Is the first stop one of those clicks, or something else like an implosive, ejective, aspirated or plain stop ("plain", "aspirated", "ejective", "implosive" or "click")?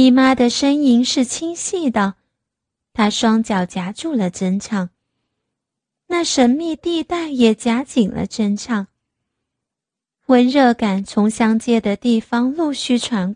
plain